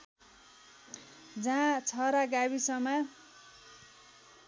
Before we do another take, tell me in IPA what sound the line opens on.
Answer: d͡z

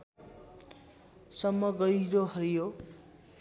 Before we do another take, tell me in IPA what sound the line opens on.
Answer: s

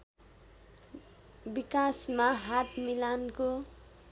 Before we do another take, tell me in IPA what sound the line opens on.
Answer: b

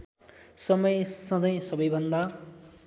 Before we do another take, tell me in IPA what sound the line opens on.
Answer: s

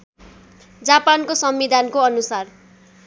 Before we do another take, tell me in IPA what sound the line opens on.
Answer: d͡z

